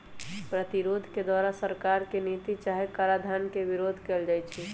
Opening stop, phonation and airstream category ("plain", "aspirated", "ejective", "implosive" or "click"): plain